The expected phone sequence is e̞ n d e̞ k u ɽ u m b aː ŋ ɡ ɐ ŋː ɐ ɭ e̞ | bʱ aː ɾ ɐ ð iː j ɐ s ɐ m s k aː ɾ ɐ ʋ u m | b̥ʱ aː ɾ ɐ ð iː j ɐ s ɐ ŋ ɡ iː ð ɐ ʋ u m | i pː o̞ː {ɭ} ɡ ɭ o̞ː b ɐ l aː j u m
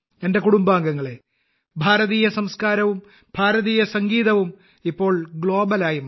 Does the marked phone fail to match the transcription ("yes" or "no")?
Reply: no